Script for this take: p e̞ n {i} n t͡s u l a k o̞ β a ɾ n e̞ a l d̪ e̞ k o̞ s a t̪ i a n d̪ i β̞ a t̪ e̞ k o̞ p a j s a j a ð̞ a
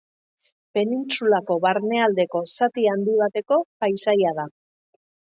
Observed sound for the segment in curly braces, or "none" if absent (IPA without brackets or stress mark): i